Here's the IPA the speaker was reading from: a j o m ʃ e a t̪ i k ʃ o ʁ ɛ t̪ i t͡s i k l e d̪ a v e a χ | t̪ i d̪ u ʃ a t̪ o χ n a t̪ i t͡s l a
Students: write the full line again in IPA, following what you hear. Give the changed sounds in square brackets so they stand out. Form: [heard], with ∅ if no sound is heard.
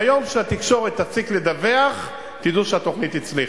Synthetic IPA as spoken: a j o m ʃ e a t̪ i k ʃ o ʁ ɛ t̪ [a] t͡s i k l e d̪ a v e a χ | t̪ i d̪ u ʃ a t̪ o χ n [i] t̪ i t͡s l [i]